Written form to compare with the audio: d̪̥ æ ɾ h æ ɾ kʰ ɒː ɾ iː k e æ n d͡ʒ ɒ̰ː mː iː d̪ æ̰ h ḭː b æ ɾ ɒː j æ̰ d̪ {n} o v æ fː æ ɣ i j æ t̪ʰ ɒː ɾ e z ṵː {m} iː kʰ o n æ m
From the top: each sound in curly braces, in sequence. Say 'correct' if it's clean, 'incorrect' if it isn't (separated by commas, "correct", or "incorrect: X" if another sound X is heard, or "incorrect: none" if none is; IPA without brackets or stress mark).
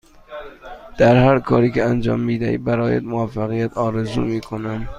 incorrect: m, correct